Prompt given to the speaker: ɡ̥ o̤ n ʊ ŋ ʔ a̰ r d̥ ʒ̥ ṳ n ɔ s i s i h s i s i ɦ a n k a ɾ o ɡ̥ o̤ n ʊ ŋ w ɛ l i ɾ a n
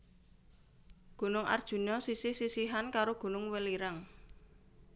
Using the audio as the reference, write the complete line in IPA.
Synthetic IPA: ɡ̥ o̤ n ʊ ŋ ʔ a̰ r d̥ ʒ̥ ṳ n ɔ s i s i h s i s i ɦ a n k a ɾ o ɡ̥ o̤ n ʊ ŋ w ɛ l i ɾ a ŋ